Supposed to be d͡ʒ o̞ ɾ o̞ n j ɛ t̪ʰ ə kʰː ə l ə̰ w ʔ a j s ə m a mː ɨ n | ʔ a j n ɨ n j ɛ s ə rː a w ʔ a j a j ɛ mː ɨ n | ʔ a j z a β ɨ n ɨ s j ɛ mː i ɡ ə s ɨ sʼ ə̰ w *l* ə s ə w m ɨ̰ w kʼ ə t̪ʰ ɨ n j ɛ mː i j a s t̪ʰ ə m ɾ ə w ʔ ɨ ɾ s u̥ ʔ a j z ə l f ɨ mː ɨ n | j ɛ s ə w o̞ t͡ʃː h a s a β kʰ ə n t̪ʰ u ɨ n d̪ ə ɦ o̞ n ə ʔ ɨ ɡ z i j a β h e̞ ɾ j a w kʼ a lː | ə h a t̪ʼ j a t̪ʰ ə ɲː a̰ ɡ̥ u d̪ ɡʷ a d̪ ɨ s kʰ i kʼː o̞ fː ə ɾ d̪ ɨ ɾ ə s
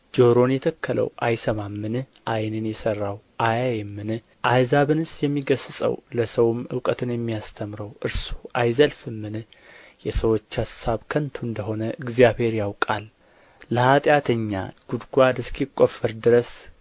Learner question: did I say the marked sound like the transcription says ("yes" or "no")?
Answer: yes